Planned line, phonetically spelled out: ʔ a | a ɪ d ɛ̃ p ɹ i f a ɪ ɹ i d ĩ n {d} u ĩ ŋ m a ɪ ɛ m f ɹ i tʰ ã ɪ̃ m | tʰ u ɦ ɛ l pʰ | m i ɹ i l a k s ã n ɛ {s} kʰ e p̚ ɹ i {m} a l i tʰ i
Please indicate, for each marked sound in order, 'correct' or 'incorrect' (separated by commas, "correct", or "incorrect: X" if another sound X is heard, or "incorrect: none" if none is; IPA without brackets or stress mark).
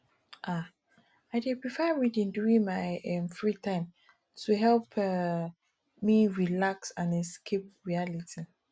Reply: correct, correct, incorrect: none